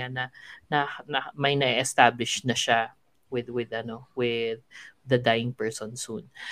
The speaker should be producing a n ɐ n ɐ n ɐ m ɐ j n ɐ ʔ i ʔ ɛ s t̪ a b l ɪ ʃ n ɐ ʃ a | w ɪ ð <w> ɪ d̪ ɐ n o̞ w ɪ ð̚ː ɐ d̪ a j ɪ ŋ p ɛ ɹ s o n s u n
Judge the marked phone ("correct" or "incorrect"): correct